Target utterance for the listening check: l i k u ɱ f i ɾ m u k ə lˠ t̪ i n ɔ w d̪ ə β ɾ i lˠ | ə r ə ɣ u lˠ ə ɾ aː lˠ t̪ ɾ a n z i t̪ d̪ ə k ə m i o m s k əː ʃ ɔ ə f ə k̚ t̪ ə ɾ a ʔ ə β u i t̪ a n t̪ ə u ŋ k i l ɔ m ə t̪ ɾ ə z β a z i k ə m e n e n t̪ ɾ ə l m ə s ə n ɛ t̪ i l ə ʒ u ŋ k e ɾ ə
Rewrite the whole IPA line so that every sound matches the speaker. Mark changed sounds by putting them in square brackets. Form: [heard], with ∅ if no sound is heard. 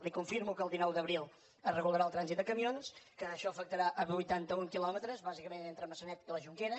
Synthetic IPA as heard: l i k u ɱ f i ɾ m u k ə lˠ [d̪] i n ɔ w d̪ ə β ɾ i lˠ | ə r ə ɣ u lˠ ə ɾ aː lˠ t̪ ɾ a n z i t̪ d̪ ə k ə m i o [n] s k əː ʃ ɔ ə f ə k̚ t̪ ə ɾ a ʔ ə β u [j] t̪ a n t̪ ə u ŋ k i l ɔ m ə t̪ ɾ ə z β a z i k ə m e n e n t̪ ɾ ə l m ə s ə n ɛ t̪ i l ə ʒ u ŋ k e ɾ ə